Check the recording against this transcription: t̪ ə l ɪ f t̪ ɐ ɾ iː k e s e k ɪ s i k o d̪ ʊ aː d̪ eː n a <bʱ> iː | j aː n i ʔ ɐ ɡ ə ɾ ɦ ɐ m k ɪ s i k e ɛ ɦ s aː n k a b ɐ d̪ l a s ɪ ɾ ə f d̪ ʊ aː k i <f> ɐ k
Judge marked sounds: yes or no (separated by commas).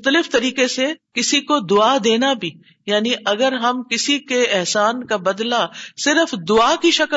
yes, no